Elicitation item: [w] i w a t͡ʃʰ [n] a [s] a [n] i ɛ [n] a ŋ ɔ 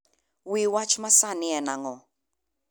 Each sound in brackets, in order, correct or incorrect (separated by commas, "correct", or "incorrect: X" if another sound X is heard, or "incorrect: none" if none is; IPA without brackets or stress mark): correct, incorrect: m, correct, correct, correct